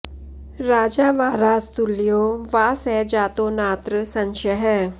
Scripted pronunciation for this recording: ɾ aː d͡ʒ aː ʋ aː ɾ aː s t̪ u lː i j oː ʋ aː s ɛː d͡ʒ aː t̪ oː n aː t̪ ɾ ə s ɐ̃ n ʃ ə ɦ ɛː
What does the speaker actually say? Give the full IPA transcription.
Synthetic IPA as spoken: ɾ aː d͡ʒ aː ʋ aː ɾ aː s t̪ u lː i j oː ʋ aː s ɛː d͡ʒ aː t̪ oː n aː t̪ ɾ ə s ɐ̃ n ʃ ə ɦ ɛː